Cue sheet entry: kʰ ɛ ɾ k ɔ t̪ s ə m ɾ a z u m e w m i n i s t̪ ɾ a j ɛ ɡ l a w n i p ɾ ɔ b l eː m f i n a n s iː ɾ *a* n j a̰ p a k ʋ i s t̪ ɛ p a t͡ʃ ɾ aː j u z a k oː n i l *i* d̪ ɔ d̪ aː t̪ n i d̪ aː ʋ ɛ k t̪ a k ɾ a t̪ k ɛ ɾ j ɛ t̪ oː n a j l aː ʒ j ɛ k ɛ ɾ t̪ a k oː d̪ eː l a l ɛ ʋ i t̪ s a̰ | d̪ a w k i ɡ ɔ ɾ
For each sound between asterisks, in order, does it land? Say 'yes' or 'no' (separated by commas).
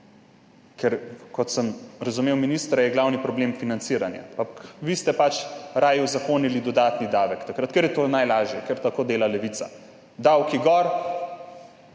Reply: yes, yes